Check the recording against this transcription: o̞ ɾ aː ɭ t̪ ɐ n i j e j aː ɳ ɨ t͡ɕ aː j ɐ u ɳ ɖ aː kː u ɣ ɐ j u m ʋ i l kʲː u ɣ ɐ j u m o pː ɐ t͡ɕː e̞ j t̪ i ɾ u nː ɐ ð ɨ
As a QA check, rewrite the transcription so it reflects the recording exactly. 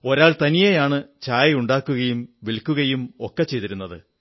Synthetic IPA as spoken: o̞ ɾ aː ɭ t̪ ɐ n i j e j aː ɳ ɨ t͡ɕ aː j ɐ u ɳ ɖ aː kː u ɣ ɐ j u m ʋ i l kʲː u ɣ ɐ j u m o kː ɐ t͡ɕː e̞ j t̪ i ɾ u nː ɐ ð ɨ